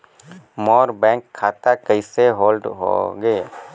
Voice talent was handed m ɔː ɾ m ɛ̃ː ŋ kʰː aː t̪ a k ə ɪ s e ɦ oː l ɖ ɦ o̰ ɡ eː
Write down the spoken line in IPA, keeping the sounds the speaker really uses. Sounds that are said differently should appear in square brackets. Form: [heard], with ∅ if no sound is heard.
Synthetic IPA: m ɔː ɾ [b] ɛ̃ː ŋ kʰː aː t̪ a k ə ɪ s e ɦ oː l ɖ ɦ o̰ ɡ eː